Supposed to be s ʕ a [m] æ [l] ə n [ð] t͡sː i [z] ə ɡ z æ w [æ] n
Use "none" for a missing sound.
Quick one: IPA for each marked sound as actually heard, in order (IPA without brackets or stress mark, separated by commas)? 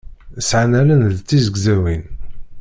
n, l, ð, z, i